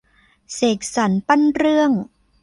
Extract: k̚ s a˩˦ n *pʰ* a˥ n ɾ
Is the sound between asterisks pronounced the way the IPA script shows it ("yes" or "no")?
no